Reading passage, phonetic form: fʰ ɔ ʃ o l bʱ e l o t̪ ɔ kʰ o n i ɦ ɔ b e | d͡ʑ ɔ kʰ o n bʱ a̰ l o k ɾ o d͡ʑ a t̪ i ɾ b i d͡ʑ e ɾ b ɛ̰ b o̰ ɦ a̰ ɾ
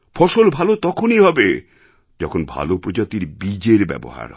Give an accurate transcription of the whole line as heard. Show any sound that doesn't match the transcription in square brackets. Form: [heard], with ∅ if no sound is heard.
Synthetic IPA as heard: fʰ ɔ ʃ o l bʱ [a] l o t̪ ɔ kʰ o n i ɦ ɔ b e | d͡ʑ ɔ kʰ o n bʱ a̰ l o [p] ɾ o d͡ʑ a t̪ i ɾ b i d͡ʑ e ɾ b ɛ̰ b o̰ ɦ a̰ ɾ